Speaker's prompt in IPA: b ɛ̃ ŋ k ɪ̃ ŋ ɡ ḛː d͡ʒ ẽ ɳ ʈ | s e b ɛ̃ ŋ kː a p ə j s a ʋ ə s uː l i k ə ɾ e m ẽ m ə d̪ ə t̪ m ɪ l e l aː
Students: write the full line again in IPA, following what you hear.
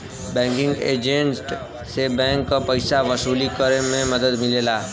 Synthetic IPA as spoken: b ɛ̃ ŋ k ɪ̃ ŋ ɡ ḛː d͡ʒ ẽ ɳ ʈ | s e b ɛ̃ ŋ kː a p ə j s a ʋ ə s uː l i k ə ɾ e m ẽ m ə d̪ ə d̪ m ɪ l e l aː